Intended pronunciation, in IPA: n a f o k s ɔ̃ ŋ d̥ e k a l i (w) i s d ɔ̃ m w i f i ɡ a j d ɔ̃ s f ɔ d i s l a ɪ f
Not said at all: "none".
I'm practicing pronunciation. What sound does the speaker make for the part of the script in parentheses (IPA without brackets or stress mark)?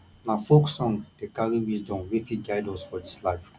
w